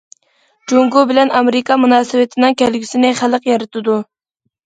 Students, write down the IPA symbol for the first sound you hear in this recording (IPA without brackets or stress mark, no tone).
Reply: d͡ʒ